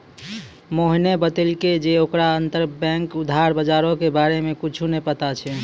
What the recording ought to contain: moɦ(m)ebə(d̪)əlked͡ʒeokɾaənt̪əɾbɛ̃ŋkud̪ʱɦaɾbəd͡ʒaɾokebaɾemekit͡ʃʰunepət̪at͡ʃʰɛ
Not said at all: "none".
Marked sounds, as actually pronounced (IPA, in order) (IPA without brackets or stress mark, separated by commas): n, t̪